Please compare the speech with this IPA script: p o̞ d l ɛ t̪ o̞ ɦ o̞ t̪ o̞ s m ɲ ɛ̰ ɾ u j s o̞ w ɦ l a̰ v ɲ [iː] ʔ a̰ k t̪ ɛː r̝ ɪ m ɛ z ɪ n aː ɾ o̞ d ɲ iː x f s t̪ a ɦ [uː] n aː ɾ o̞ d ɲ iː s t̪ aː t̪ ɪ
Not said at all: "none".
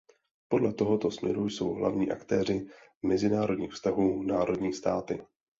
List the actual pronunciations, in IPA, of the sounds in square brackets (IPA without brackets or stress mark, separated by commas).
iː, uː